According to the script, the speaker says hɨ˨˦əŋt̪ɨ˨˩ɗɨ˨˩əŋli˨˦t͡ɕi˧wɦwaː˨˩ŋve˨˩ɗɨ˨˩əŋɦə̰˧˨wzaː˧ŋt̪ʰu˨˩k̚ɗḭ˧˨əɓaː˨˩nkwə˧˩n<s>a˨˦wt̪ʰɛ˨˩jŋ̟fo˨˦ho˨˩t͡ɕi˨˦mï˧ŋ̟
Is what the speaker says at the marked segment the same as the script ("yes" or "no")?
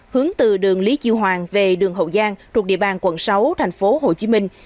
yes